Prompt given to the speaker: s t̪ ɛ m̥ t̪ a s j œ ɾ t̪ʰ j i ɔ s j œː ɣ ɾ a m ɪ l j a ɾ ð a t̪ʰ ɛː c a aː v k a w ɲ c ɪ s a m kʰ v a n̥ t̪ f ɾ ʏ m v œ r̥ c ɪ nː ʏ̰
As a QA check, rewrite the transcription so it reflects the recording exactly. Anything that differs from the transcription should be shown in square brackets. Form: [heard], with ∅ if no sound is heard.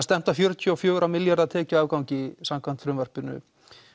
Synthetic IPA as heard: s t̪ ɛ m̥ t̪ a [f] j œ ɾ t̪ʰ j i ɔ [f] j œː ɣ ɾ a m ɪ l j a ɾ ð a t̪ʰ ɛː c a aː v k a w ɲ c ɪ s a m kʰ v a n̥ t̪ f ɾ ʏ m v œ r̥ [p] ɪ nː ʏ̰